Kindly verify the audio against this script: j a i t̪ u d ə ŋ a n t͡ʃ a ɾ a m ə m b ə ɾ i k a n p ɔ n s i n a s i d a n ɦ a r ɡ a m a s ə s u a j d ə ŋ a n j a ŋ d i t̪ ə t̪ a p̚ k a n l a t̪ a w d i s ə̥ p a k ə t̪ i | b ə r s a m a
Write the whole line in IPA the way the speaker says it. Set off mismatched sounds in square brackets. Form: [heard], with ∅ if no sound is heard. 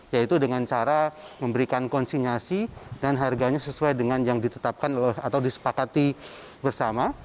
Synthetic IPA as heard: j a i t̪ u d ə ŋ a n t͡ʃ a ɾ a m ə m b ə ɾ i k a n [k] ɔ n s i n a s i d a n ɦ a r ɡ a [ɲ] a s ə s u a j d ə ŋ a n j a ŋ d i t̪ ə t̪ a p̚ k a n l a t̪ a w d i s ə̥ p a k [a] t̪ i | b ə r s a m a